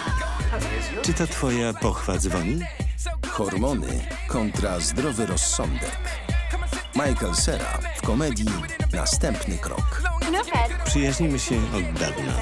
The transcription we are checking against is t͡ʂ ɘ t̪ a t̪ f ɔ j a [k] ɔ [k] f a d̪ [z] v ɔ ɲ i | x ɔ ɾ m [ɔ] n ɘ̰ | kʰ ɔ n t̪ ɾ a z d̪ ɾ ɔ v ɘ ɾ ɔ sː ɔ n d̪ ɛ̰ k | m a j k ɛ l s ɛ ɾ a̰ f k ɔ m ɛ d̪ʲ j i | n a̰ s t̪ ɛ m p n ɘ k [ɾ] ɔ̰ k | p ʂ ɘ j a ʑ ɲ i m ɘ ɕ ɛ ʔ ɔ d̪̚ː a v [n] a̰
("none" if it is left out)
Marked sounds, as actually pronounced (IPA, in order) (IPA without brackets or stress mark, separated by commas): p, x, z, ɔ, ɾ, n